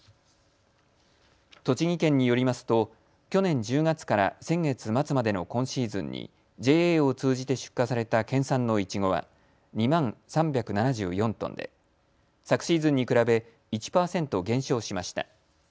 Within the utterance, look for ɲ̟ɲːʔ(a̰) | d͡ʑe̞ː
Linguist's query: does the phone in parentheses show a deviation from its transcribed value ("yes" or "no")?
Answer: yes